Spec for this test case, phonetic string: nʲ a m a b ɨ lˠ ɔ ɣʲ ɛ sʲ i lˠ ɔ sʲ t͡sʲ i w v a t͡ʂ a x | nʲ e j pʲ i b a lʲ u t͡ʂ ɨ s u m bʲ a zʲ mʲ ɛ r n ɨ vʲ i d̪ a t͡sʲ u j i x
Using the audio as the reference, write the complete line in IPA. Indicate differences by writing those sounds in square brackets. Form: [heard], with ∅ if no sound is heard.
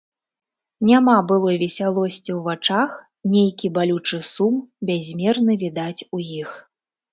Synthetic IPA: nʲ a m a b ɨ lˠ ɔ [vʲ] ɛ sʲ [a] lˠ ɔ sʲ t͡sʲ i w v a t͡ʂ a x | nʲ e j [kʲ] i b a lʲ u t͡ʂ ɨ s u m bʲ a zʲ mʲ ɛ r n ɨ vʲ i d̪ a t͡sʲ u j i x